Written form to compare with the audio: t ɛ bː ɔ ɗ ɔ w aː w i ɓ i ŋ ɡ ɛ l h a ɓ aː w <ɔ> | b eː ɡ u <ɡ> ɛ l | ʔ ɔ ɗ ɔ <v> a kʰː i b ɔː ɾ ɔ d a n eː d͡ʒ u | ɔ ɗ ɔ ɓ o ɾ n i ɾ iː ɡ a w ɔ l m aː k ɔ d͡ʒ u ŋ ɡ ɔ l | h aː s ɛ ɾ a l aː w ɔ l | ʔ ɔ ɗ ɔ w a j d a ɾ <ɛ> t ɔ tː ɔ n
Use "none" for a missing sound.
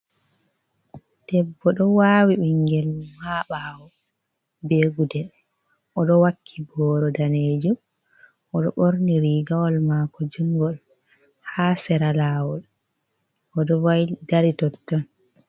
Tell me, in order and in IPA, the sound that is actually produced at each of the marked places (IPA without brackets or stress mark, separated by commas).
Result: ɔ, d, w, i